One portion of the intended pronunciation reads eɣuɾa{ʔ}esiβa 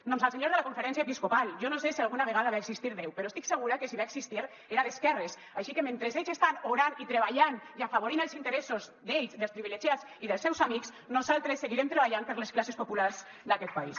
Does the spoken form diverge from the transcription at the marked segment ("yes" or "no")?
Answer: yes